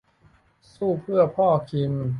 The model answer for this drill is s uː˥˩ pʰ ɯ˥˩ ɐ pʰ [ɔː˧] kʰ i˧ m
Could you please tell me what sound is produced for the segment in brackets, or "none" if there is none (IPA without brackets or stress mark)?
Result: ɔː˥˩